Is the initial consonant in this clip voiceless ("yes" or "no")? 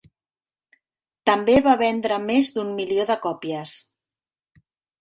yes